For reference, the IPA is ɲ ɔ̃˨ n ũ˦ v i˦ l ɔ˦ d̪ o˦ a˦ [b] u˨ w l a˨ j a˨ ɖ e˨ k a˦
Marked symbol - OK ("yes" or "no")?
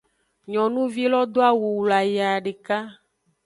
no